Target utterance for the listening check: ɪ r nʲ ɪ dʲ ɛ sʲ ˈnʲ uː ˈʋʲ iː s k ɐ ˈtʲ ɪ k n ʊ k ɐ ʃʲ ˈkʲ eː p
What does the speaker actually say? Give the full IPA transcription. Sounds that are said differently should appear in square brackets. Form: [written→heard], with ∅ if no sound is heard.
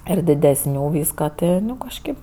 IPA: ɪ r [nʲ→dʲ] ɪ dʲ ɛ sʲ ˈnʲ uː ˈʋʲ iː s k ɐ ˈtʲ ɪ [k→∅] n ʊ k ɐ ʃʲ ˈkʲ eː p